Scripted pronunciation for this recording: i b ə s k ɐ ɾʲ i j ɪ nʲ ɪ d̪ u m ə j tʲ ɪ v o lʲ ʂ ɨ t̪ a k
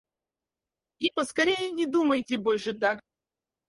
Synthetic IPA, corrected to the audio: i p ə s k ɐ ɾʲ e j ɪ nʲ ɪ d̪ u m ə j tʲ ɪ b o lʲ ʂ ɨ t̪ a k